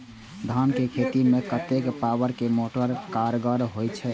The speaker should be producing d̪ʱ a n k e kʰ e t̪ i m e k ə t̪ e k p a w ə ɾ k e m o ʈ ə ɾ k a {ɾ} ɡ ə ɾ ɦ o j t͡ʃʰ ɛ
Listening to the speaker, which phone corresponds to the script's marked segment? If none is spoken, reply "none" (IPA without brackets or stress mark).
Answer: ɾ